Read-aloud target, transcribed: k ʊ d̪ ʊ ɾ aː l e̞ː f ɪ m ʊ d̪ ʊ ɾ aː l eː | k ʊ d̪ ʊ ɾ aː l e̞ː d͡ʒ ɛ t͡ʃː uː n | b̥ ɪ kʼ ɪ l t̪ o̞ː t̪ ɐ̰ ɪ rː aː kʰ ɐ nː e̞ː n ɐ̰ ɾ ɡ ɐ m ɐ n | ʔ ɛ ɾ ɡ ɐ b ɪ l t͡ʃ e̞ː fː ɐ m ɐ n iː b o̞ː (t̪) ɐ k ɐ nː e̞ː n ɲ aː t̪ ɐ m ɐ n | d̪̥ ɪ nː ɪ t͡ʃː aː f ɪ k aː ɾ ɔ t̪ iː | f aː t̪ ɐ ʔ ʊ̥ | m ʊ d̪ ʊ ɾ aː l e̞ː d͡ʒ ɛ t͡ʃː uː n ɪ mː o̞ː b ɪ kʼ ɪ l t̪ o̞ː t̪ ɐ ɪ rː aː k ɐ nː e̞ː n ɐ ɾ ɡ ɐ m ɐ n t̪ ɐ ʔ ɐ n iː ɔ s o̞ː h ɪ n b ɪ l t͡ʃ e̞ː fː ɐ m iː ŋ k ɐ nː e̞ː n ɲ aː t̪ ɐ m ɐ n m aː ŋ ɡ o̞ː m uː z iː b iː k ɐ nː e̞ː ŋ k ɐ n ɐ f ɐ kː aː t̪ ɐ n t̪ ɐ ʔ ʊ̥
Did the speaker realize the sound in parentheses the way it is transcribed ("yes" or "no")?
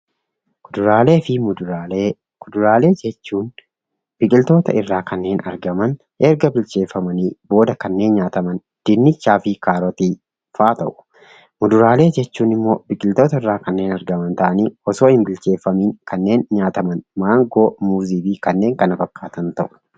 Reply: no